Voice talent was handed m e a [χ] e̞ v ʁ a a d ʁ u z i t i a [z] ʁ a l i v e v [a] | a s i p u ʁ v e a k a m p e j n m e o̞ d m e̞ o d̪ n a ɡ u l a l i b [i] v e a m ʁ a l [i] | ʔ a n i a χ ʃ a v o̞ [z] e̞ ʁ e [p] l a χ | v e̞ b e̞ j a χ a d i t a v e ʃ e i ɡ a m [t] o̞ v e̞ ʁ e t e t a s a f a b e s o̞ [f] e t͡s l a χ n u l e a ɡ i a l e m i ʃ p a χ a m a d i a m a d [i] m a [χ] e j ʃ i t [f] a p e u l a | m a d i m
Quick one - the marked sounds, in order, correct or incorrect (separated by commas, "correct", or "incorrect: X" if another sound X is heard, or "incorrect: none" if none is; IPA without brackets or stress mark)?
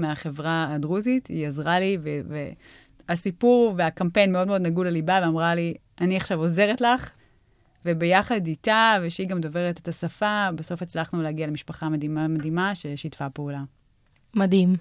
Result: correct, correct, incorrect: e, incorrect: a, correct, correct, incorrect: t, incorrect: d, correct, correct, incorrect: ʃ, correct